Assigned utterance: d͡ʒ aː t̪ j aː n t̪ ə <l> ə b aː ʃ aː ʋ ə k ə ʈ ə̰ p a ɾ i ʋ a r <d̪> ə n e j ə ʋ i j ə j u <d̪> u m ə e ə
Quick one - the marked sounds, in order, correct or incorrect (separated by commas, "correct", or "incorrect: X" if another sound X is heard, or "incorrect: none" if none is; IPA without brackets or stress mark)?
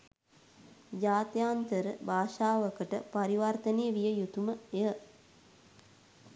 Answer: incorrect: ɾ, incorrect: t̪, incorrect: t̪